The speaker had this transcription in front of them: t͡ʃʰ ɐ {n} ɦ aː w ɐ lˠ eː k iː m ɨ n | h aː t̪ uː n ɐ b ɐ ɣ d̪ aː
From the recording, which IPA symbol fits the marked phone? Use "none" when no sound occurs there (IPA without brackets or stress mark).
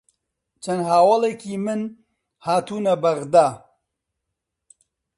n